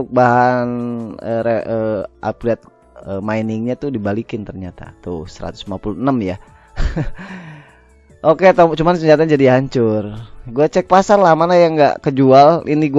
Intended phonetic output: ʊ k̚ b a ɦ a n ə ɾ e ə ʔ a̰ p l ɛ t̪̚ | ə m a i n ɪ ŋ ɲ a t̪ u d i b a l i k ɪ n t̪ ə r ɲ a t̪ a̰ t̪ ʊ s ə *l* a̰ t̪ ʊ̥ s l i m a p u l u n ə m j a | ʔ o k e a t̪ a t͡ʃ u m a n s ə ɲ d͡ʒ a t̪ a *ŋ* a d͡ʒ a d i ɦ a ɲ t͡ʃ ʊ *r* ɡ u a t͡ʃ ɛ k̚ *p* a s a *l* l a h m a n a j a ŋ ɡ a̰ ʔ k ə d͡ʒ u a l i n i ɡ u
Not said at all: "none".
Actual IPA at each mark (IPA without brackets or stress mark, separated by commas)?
ɾ, ɲ, r, p, r